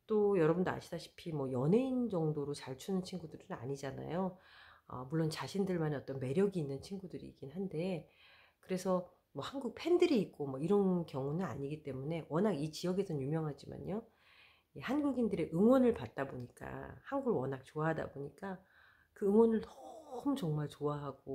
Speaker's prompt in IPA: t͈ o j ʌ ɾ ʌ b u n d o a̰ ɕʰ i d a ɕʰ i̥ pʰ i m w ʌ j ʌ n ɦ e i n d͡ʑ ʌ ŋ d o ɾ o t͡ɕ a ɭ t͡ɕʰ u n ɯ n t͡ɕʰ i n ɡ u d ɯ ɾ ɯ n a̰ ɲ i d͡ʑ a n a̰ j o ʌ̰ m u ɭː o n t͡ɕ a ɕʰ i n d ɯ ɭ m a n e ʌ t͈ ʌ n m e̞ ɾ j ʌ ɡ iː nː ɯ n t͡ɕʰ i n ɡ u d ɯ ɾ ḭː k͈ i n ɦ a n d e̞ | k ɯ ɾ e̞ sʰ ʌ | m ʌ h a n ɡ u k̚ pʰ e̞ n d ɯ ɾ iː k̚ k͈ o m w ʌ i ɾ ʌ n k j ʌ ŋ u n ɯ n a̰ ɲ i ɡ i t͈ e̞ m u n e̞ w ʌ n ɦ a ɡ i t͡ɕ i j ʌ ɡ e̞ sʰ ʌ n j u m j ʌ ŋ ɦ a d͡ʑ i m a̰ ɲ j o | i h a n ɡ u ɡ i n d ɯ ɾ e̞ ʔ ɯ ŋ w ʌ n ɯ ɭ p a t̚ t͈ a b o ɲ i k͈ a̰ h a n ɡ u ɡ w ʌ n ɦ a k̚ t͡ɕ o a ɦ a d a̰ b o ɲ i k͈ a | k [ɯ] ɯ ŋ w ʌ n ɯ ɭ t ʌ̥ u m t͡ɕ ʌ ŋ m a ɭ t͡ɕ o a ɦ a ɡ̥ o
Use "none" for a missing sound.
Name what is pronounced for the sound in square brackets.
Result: ɯ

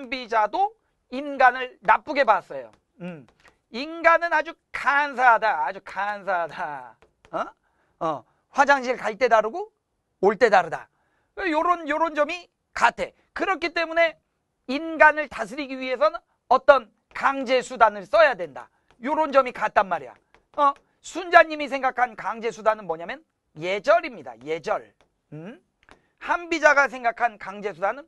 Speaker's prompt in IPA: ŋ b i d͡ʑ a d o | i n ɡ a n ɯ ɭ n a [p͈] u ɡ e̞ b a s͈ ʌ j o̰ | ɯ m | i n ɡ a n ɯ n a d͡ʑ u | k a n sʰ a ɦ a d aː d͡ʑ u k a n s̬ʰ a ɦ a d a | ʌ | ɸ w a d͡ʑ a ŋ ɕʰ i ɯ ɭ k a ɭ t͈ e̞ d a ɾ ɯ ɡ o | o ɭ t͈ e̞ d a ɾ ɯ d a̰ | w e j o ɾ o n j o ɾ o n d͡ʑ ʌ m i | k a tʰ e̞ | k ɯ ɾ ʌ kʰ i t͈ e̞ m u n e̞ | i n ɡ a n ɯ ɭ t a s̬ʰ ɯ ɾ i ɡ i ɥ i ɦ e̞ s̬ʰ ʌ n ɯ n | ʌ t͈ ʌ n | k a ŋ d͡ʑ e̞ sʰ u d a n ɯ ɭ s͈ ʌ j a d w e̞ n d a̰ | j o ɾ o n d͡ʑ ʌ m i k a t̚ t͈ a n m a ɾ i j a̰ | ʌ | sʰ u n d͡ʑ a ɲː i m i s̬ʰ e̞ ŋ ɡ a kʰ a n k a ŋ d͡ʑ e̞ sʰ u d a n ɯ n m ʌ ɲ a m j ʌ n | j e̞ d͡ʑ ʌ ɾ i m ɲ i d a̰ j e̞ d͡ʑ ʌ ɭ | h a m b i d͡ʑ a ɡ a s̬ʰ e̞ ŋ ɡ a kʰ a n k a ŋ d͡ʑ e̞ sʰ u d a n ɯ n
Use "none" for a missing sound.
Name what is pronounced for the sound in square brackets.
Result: p͈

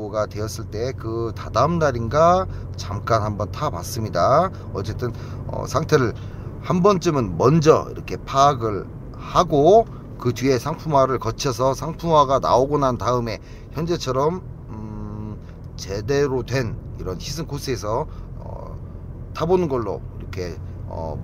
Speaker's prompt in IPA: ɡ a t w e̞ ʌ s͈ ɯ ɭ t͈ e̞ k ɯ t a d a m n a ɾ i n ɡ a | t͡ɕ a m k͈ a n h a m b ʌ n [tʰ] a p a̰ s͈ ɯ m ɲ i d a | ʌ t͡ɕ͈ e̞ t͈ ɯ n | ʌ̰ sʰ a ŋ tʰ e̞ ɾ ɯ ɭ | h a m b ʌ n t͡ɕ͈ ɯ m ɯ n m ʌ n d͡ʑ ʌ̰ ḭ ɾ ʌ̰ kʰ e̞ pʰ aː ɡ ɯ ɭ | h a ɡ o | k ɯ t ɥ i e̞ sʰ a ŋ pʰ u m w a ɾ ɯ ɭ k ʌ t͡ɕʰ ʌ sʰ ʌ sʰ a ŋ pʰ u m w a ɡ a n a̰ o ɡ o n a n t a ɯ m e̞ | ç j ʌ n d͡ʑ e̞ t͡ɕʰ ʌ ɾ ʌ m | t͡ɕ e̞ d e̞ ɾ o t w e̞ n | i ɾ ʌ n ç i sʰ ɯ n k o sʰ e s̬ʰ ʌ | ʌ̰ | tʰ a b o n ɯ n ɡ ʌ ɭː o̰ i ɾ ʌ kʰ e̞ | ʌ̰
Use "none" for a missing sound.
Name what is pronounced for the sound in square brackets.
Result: tʰ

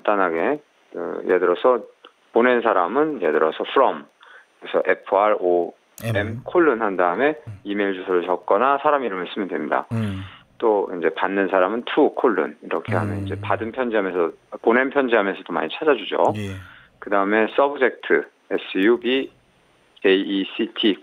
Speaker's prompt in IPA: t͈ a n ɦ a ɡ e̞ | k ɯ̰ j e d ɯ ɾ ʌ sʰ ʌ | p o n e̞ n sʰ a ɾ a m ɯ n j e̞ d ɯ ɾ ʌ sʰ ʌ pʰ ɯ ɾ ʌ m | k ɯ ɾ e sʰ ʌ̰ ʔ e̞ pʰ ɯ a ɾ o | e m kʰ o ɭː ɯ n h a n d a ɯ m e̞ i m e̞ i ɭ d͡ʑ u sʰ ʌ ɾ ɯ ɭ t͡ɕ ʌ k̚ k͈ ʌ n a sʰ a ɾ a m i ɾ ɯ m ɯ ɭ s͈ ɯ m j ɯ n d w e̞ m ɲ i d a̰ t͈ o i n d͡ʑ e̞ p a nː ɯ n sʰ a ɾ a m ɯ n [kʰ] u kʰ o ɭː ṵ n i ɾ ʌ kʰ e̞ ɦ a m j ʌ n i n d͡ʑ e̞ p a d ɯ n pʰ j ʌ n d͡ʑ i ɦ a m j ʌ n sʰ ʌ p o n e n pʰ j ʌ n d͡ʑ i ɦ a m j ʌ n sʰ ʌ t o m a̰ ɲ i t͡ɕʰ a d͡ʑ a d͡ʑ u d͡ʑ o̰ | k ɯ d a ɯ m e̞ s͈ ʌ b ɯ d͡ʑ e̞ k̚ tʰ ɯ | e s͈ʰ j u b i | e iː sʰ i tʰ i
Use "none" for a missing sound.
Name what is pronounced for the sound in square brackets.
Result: tʰ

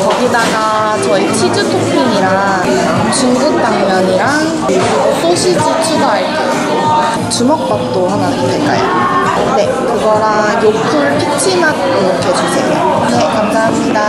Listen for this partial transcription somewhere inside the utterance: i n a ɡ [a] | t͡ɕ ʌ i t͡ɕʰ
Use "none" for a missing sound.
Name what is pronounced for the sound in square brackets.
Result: a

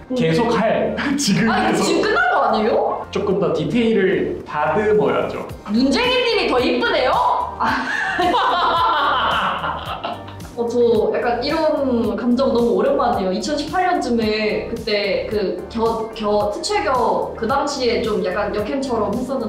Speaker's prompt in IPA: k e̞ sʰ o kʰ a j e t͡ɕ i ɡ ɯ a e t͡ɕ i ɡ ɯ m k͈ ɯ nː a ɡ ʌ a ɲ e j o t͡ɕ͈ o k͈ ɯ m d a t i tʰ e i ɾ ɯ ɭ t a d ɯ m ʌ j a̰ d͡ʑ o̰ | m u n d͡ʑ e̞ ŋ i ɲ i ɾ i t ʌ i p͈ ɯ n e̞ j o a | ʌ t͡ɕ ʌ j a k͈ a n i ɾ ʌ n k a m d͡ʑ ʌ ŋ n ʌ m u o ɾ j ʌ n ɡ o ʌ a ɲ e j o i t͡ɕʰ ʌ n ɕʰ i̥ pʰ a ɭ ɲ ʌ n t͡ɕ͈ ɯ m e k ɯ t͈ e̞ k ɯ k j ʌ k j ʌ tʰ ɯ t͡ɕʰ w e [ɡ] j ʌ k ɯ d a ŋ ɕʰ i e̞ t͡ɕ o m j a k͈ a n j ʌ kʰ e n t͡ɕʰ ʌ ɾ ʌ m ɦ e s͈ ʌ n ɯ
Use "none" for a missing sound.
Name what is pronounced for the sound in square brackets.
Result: ɡ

